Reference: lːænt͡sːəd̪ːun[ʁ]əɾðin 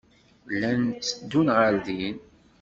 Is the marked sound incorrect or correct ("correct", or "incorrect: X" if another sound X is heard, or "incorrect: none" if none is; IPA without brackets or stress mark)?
correct